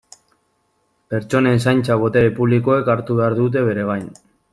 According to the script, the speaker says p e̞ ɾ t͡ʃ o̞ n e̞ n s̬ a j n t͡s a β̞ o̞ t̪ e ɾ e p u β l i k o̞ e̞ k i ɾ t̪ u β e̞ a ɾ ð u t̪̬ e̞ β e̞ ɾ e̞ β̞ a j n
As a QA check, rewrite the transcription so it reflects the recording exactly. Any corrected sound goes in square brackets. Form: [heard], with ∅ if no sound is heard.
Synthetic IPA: p e̞ ɾ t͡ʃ o̞ n e̞ n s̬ a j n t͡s a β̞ o̞ t̪ e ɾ e p u β l i k o̞ e̞ k [a] ɾ t̪ u β e̞ a ɾ ð u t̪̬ e̞ β e̞ ɾ e̞ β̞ a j n